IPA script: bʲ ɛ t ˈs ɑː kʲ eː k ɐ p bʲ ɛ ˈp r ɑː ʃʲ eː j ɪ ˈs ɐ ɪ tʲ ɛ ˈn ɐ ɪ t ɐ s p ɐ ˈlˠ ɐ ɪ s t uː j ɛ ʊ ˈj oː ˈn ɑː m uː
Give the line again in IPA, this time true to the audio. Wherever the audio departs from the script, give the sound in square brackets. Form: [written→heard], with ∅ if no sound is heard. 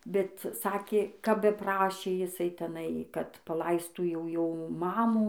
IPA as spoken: bʲ ɛ t ˈs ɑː kʲ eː k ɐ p bʲ ɛ ˈp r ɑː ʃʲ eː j ɪ ˈs ɐ ɪ tʲ ɛ ˈn ɐ ɪ [t→k] ɐ [s→t] p ɐ ˈlˠ ɐ ɪ s t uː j ɛ ʊ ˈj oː [ˈn→ˈm] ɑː m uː